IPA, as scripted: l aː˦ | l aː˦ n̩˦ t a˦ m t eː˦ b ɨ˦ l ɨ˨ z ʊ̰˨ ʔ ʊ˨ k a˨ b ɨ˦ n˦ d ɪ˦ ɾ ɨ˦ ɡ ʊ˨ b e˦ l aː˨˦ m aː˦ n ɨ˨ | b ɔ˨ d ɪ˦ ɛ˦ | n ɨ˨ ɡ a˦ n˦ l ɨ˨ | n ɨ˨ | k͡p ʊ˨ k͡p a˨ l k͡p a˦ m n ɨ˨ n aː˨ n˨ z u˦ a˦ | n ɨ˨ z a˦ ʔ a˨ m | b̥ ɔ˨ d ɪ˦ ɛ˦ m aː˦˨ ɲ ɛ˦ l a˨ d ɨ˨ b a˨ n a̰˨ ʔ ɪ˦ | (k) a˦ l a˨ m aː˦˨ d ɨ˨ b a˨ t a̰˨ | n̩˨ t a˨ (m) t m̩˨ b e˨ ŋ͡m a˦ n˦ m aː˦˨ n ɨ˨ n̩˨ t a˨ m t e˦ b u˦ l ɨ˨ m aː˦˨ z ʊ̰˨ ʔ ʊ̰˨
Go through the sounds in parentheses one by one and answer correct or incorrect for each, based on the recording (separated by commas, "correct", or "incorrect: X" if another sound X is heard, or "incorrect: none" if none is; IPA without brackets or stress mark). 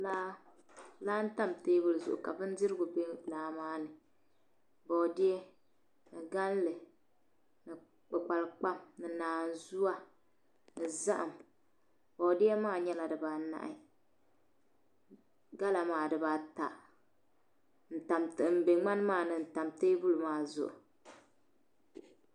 incorrect: ɡ, correct